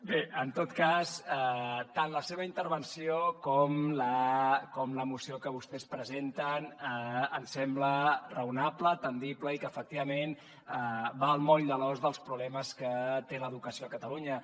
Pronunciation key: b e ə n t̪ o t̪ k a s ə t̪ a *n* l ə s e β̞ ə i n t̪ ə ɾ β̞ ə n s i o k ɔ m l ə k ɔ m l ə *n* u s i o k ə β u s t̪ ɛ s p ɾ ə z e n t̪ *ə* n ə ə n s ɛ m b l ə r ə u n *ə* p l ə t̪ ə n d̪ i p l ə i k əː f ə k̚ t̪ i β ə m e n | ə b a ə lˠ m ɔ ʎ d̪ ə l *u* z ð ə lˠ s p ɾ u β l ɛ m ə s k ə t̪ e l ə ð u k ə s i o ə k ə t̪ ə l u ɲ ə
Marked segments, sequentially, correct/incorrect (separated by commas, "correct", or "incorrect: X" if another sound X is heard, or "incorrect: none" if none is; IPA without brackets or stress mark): correct, incorrect: m, correct, incorrect: a, incorrect: ɔ